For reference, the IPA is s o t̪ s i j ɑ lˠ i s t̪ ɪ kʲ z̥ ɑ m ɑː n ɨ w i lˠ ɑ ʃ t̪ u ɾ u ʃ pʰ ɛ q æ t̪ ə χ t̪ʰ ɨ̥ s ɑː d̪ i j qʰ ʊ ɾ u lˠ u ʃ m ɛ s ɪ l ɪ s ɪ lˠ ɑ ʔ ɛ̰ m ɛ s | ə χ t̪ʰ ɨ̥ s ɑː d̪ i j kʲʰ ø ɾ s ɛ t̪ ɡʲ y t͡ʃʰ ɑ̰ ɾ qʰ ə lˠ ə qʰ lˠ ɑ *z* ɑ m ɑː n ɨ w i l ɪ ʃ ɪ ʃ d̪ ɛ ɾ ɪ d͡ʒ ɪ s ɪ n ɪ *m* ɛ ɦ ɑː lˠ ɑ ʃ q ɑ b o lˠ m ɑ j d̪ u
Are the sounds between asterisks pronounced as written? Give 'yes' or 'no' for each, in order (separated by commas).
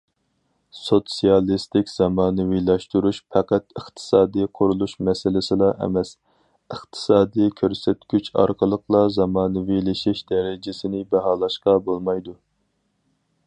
yes, no